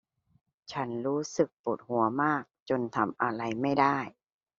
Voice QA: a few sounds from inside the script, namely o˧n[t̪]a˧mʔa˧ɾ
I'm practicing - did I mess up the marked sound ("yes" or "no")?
yes